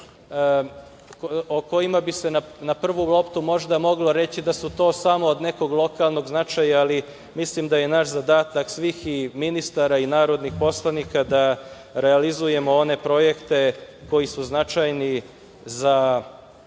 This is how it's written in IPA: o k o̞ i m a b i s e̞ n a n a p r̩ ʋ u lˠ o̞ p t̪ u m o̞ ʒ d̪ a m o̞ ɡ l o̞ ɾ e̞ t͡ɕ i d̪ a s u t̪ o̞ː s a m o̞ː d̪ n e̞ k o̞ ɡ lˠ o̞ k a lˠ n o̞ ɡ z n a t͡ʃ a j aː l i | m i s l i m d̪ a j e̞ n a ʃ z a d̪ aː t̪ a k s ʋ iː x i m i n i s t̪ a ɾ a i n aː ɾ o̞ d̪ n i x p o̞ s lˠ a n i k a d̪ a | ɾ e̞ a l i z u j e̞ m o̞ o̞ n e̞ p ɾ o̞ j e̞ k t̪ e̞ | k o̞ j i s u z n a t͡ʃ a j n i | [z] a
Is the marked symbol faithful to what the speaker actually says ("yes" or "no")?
yes